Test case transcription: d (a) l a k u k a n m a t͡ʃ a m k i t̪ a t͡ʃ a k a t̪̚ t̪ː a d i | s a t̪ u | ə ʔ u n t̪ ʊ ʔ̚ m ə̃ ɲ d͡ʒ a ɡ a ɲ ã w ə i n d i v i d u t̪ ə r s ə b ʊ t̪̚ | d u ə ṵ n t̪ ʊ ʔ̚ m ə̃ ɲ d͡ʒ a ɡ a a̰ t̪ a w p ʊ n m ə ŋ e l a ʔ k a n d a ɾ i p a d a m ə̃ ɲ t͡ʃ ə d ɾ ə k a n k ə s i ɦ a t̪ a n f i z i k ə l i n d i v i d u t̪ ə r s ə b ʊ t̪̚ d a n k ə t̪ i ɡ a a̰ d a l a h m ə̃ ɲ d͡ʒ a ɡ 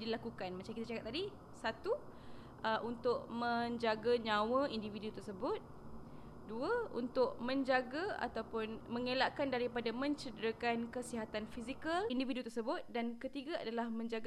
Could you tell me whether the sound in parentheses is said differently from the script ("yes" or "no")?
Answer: yes